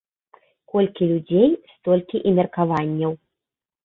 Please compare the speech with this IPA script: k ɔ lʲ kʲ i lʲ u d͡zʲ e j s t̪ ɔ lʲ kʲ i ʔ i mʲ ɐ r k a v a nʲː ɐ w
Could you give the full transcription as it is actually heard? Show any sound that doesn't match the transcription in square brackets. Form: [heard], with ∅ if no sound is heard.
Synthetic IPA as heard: k ɔ lʲ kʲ i lʲ u d͡zʲ e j s t̪ ɔ lʲ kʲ i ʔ i mʲ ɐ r k a v a nʲː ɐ w